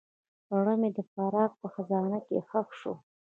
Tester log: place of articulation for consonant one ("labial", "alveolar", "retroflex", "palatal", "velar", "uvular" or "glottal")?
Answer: retroflex